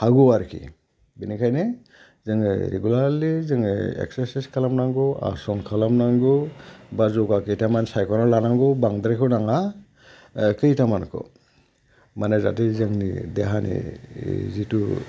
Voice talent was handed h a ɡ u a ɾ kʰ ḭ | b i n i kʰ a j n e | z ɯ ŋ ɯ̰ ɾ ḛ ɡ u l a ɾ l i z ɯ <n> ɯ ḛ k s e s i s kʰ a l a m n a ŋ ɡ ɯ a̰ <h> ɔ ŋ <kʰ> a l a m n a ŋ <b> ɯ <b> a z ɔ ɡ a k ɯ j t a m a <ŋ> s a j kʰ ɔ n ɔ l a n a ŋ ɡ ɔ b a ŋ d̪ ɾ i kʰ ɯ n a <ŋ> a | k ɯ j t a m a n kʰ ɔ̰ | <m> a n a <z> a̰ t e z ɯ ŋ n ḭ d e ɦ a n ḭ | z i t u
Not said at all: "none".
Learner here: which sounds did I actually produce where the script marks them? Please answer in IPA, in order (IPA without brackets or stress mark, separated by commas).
ŋ, s, kʰ, ɡ, b, n, ŋ, m, z